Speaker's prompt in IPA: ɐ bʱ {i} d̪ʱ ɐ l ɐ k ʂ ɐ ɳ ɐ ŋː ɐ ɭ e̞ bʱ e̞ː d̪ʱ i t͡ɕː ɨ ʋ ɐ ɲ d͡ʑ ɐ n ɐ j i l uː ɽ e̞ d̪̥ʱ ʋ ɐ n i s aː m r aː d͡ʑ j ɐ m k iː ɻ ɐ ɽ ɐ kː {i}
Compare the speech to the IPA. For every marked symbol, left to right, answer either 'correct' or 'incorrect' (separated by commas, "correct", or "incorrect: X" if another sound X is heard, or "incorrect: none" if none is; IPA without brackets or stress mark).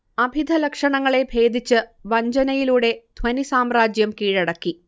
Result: correct, correct